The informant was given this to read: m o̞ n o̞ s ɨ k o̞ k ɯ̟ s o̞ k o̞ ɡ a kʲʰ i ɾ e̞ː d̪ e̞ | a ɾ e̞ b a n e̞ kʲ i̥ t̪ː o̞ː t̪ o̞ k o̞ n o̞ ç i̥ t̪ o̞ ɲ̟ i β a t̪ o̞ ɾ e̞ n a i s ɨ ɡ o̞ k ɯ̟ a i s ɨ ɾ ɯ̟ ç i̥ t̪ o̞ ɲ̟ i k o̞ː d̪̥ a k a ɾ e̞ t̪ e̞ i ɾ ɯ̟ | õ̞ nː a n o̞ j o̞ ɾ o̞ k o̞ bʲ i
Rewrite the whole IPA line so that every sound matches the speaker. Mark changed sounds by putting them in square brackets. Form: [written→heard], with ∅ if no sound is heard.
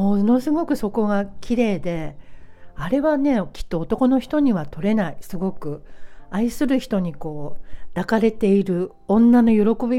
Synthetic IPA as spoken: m o̞ n o̞ s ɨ [k→ɡ] o̞ k ɯ̟ s o̞ k o̞ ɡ a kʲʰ i ɾ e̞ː d̪ e̞ | a ɾ e̞ [b→β] a n e̞ kʲ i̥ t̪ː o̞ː t̪ o̞ k o̞ n o̞ ç i̥ t̪ o̞ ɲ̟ i β a t̪ o̞ ɾ e̞ n a i s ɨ ɡ o̞ k ɯ̟ a i s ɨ ɾ ɯ̟ ç i̥ t̪ o̞ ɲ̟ i k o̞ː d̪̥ a k a ɾ e̞ t̪ e̞ i ɾ ɯ̟ | õ̞ nː a n o̞ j o̞ ɾ o̞ k o̞ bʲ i